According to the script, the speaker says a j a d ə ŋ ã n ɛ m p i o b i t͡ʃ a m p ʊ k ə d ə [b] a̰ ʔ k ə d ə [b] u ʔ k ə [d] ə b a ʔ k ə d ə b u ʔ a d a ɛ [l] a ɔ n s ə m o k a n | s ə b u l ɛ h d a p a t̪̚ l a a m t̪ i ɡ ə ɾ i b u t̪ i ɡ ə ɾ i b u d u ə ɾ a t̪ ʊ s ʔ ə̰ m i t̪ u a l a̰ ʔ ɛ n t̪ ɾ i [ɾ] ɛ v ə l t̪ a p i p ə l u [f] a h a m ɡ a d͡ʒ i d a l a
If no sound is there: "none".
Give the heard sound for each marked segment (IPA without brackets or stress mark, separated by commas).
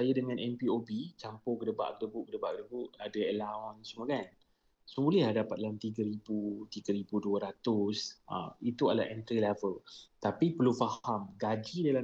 b, b, d, l, l, f